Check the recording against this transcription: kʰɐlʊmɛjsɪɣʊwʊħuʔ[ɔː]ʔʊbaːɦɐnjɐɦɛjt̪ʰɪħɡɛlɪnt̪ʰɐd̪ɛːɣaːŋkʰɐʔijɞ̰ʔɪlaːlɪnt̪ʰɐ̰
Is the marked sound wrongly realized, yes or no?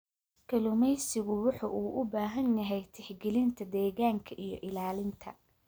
yes